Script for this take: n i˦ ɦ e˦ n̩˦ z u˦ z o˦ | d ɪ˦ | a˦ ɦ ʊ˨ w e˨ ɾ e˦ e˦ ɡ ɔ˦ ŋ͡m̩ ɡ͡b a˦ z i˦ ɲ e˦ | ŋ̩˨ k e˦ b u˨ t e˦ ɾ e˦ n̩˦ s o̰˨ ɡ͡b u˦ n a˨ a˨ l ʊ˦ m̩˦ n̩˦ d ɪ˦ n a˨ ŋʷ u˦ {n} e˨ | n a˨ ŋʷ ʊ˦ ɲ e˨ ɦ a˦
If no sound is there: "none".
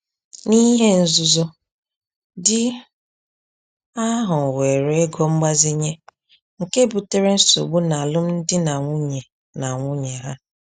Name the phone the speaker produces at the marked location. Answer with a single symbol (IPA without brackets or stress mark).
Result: ɲ